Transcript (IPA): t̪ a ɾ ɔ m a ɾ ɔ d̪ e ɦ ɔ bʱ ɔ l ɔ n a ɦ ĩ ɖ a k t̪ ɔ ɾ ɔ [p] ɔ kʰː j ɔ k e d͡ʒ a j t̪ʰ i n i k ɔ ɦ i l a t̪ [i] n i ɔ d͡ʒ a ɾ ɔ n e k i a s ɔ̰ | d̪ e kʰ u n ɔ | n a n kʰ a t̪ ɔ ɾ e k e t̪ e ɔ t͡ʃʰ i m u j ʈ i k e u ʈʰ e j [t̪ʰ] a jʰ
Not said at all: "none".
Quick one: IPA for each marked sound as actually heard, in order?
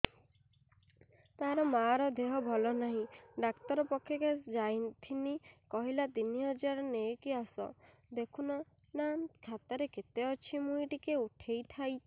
p, i, t̪ʰ

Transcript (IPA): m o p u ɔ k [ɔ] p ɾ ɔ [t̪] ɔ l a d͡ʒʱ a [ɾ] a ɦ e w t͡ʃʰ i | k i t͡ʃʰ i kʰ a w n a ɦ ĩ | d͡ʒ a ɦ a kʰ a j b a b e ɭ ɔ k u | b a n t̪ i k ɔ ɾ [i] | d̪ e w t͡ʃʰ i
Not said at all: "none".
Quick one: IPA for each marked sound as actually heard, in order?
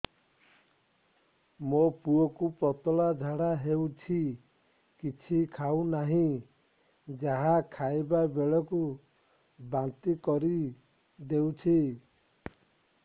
u, t̪, ɽ, i

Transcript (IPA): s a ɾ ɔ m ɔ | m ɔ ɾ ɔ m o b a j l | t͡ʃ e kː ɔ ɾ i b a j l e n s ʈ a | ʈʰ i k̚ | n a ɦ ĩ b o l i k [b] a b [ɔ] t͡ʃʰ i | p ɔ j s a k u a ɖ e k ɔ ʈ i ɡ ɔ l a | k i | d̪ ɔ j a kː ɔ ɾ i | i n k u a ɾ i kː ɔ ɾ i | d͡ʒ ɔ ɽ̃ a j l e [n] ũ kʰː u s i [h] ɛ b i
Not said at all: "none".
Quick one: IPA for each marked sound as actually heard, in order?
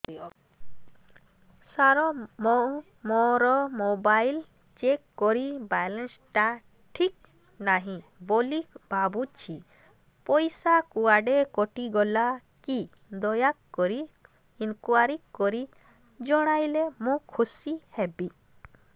b, u, m, h

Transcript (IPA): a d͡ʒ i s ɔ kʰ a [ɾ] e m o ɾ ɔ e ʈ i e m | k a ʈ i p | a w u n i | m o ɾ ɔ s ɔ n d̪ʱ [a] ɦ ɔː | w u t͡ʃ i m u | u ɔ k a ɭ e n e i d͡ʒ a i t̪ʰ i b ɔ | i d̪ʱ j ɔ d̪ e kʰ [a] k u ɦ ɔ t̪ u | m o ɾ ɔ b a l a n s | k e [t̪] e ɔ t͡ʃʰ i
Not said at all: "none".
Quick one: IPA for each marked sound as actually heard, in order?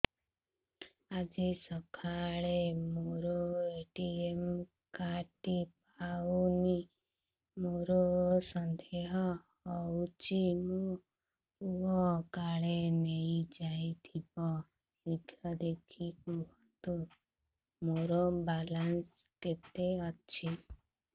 ɭ, e, i, t̪

